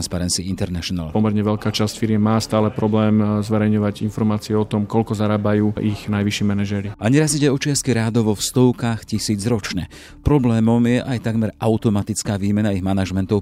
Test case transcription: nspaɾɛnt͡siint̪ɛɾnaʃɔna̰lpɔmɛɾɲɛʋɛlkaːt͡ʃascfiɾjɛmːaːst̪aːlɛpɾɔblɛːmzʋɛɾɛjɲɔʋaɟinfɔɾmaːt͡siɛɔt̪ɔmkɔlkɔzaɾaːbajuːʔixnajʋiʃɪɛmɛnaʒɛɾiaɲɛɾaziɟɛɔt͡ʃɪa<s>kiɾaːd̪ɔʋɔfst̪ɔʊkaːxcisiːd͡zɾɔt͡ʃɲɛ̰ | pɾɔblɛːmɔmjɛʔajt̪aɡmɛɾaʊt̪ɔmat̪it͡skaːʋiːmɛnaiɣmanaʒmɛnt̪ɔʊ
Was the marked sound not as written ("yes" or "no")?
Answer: no